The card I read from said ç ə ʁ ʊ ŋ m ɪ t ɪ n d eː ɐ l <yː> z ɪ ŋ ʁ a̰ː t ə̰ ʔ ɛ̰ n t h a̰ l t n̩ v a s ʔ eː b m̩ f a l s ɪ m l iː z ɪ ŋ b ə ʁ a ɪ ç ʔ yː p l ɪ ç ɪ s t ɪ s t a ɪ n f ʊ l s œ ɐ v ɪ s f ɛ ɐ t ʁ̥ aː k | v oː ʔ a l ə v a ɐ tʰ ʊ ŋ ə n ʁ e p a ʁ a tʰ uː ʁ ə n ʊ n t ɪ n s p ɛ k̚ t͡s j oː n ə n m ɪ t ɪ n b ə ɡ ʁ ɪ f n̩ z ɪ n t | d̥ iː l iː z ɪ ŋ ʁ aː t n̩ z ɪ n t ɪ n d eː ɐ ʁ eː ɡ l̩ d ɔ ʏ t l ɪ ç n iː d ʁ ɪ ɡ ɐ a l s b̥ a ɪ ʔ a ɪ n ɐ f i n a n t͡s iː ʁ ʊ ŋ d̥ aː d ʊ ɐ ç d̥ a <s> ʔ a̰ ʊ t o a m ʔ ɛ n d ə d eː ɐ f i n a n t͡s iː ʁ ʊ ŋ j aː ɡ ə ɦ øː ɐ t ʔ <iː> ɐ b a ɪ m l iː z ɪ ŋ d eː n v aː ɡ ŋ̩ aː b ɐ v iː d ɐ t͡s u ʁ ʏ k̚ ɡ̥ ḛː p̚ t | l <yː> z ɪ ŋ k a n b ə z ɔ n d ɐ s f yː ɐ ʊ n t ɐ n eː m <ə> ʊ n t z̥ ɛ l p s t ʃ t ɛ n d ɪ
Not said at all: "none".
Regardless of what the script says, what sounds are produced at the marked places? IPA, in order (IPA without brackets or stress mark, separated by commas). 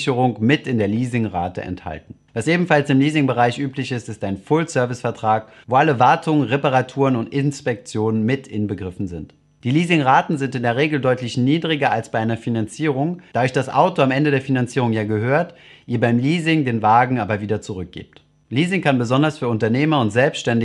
iː, s, iː, iː, ɐ